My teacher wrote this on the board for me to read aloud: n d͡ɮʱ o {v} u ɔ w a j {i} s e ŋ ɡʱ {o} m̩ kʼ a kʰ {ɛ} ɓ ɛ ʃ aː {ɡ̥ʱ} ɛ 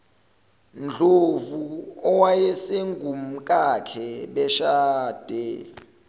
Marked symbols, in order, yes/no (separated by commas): yes, no, no, yes, no